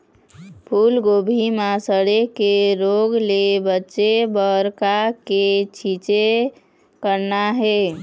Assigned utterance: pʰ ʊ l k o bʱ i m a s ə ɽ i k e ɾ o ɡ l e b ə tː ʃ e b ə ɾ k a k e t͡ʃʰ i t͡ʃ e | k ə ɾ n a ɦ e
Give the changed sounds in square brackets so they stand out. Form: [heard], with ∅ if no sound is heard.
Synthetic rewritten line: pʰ [u] l [ɡ] o bʱ i m a s ə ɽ [e] k e ɾ o ɡ l e b ə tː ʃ e b ə ɾ k a k e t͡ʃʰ i t͡ʃ e | k ə ɾ n a ɦ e